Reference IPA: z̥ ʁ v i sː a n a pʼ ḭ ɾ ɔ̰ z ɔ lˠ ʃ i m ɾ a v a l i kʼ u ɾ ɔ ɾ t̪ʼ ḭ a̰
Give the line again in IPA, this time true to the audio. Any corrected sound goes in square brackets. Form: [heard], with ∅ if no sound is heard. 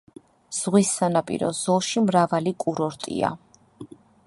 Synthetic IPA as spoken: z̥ ʁ [w] i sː a n a pʼ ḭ ɾ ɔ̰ z ɔ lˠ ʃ i m ɾ a v a l i kʼ u ɾ ɔ ɾ t̪ʼ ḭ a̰